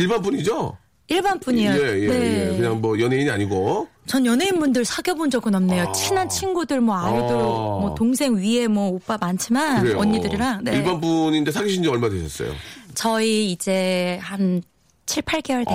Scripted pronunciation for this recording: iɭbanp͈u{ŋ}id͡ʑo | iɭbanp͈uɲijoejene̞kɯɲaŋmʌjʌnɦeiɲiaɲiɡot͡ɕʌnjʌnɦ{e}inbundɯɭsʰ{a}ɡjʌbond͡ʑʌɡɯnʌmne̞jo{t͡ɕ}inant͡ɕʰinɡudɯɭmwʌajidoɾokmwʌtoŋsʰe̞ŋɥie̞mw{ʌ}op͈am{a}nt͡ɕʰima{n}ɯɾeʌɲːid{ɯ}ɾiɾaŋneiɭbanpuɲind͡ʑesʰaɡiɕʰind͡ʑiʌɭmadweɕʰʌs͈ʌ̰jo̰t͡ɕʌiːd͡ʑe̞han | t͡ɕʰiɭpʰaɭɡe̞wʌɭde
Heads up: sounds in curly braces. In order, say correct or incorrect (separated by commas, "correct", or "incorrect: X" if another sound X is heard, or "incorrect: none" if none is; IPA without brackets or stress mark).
incorrect: ɲ, correct, correct, incorrect: t͡ɕʰ, correct, correct, correct, correct